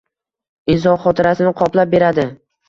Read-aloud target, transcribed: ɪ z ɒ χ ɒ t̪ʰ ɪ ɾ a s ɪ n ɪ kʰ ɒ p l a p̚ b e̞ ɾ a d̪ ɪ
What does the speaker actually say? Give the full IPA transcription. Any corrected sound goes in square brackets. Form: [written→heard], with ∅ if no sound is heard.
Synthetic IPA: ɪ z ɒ χ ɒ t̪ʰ ɪ ɾ a s ɪ n ɪ [kʰ→qʰ] ɒ p l a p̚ b e̞ ɾ a d̪ ɪ